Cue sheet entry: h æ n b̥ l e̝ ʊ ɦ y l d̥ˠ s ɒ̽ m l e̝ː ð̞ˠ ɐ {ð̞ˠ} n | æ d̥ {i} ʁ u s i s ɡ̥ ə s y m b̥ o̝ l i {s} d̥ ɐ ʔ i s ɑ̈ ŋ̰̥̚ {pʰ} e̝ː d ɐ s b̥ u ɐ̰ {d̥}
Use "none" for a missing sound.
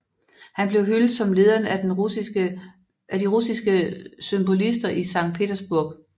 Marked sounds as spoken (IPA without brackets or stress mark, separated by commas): none, i, s, pʰ, ɡ̥